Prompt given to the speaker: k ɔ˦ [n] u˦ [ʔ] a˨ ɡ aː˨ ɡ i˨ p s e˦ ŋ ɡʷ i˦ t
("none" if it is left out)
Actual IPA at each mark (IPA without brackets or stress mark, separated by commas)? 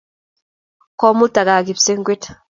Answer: m, t